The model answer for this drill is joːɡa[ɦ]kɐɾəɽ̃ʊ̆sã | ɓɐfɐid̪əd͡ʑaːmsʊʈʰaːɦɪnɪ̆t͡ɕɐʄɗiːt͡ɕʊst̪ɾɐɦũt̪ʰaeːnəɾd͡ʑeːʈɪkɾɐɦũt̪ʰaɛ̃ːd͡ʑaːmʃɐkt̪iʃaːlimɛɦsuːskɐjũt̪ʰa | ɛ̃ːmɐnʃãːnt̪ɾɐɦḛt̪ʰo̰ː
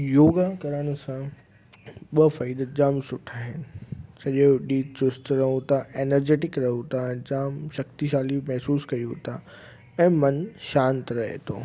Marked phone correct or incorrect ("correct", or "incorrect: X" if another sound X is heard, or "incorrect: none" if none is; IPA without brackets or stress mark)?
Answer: incorrect: none